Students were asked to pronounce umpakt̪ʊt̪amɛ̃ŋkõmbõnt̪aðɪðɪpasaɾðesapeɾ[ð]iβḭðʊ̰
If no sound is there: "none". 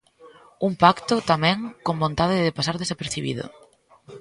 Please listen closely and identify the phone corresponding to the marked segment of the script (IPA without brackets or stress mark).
θ